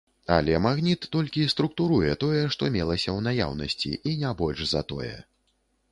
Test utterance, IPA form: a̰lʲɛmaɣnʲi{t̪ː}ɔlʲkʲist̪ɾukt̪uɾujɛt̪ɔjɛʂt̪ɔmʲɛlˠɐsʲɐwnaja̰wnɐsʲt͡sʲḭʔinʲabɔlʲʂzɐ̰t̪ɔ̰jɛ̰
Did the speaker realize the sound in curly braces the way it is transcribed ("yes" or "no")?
yes